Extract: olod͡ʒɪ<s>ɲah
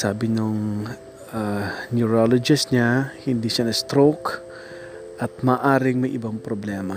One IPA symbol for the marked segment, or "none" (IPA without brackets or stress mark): s